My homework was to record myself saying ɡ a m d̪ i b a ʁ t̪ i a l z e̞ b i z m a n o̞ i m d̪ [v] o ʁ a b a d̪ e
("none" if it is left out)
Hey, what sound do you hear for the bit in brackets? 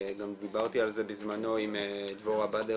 v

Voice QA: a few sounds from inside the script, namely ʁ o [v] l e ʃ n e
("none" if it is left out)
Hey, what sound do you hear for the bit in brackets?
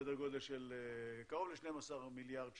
v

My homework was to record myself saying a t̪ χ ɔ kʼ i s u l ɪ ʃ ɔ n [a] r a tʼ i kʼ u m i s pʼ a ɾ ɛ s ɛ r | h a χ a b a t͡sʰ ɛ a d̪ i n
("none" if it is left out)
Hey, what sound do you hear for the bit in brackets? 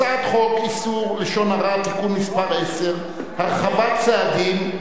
a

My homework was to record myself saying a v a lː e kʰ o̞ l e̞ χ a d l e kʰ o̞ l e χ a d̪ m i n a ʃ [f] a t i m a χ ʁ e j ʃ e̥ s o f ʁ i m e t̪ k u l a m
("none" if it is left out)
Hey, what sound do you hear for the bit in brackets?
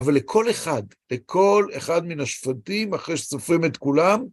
f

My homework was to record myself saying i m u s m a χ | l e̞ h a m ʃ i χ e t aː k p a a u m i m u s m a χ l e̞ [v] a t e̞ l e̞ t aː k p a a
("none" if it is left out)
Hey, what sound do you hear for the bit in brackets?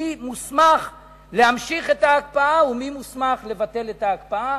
v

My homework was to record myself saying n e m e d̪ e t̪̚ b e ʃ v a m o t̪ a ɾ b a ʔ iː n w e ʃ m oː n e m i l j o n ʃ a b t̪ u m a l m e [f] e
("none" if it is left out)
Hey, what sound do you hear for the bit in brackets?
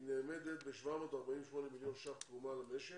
ʃ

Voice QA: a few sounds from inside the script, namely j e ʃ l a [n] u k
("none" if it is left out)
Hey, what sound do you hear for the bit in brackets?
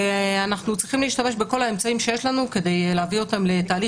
n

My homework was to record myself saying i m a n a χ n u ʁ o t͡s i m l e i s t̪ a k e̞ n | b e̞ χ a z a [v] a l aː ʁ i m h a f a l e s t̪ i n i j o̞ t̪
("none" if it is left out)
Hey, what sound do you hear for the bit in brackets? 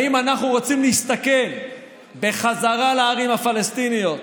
ʁ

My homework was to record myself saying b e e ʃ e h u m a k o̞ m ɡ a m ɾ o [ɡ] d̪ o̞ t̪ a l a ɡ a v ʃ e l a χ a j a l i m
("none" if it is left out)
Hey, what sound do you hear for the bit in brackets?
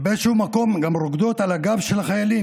ɡ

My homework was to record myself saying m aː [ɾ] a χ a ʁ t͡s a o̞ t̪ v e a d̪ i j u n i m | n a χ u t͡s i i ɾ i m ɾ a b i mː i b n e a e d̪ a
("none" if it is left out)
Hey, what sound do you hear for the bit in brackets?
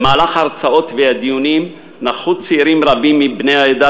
l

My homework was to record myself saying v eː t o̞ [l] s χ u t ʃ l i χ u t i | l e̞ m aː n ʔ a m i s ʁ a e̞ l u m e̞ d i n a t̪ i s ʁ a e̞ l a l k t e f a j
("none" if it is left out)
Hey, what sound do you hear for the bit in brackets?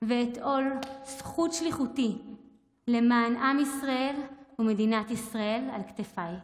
l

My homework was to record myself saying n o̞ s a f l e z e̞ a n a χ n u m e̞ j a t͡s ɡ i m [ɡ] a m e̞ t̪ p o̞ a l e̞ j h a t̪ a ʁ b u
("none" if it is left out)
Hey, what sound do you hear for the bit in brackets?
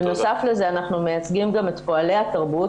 ɡ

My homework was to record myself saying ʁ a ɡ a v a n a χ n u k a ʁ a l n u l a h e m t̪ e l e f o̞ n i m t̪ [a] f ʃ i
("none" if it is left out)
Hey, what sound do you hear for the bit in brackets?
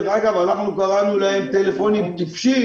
i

